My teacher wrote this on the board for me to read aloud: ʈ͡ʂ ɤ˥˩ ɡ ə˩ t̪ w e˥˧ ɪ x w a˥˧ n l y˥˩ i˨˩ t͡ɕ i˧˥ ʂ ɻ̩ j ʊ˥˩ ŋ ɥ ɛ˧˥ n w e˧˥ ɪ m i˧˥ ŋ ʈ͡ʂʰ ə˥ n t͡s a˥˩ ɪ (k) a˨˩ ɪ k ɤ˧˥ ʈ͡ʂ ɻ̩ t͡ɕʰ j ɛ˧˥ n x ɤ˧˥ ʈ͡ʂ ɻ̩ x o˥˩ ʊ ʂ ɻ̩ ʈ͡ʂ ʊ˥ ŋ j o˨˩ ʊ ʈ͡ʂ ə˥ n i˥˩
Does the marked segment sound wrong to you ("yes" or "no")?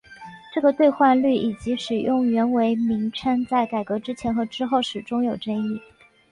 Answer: no